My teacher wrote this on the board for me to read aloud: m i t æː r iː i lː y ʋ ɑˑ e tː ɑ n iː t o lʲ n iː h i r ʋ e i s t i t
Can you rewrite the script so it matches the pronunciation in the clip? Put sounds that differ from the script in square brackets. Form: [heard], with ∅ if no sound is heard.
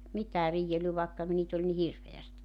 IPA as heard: m i t æː r iː [e] lː y ʋ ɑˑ e [kː] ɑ n iː t o lʲ n [i] h i r ʋ e [æ] s t i t